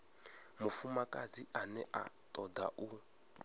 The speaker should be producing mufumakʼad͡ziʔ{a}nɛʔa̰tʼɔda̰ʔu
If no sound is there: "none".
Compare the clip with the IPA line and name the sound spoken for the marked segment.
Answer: a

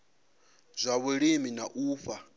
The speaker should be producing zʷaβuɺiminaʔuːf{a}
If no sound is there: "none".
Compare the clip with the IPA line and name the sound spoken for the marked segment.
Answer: a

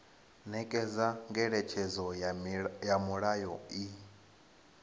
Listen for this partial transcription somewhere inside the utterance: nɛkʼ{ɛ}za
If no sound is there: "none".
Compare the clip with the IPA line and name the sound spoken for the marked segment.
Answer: ɛ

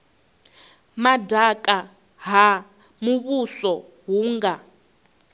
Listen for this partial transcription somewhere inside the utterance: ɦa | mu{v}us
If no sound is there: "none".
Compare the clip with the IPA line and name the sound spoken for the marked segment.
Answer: β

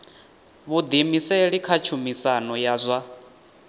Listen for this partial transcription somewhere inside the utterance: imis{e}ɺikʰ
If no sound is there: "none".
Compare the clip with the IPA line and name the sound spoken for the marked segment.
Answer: ɛ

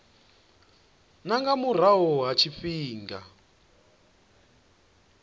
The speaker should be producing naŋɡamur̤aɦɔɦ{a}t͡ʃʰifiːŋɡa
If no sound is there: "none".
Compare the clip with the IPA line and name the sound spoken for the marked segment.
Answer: a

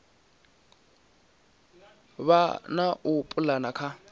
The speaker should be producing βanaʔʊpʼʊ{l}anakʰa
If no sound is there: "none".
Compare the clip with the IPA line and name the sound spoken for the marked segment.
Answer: l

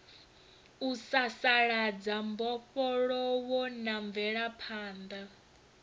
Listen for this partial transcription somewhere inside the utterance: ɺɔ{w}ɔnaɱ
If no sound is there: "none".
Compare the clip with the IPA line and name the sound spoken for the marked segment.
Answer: w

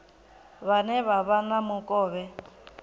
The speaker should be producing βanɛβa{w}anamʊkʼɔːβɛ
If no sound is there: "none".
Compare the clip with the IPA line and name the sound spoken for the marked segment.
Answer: β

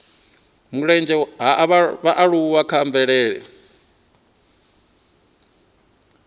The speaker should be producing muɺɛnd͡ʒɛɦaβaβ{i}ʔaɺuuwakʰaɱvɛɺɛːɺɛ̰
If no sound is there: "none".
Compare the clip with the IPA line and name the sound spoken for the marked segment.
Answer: a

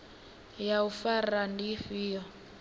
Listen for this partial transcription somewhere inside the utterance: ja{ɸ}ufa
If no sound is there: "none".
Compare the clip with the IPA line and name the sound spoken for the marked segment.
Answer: none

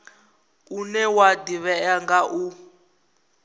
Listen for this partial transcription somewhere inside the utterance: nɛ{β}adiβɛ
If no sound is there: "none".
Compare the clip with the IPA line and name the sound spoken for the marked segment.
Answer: w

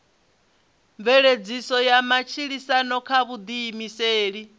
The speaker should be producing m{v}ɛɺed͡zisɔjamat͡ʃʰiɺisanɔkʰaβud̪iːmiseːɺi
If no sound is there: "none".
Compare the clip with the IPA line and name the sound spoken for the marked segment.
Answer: v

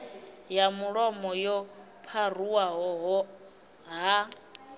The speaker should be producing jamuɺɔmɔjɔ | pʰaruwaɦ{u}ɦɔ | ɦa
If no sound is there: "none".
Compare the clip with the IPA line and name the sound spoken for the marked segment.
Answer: ɔ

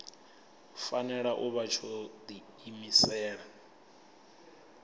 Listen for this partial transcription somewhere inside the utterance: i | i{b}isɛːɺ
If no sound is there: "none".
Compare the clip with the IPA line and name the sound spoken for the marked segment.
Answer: m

